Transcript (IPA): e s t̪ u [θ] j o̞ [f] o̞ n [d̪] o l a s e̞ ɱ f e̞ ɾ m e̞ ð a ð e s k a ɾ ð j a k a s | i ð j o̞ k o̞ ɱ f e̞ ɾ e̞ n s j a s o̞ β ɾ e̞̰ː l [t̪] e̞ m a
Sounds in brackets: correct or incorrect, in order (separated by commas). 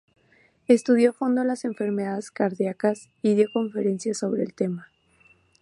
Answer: incorrect, correct, correct, correct